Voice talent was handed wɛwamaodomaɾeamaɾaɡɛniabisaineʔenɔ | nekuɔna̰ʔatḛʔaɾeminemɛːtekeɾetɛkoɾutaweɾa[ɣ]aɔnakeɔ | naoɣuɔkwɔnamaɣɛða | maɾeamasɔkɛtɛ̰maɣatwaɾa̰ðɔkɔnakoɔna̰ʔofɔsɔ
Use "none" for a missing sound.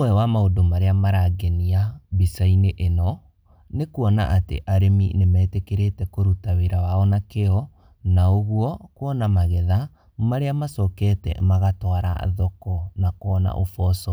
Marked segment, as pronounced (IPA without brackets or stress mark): w